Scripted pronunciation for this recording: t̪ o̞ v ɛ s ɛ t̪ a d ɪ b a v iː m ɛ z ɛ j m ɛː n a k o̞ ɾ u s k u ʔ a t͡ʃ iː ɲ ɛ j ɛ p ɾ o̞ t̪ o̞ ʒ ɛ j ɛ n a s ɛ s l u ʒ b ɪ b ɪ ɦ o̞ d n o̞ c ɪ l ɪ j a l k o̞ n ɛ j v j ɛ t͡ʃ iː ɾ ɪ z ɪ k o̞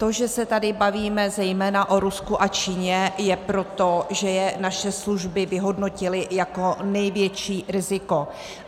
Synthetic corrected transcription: t̪ o̞ ʒ ɛ s ɛ t̪ a d ɪ b a v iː m ɛ z ɛ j m ɛː n a ʔ o̞ ɾ u s k u ʔ a t͡ʃ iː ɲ ɛ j ɛ p ɾ o̞ t̪ o̞ ʒ ɛ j ɛ n a ʃ ɛ s l u ʒ b ɪ v ɪ ɦ o̞ d n o̞ c ɪ l ɪ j a k o̞ n ɛ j v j ɛ t͡ʃ iː ɾ ɪ z ɪ k o̞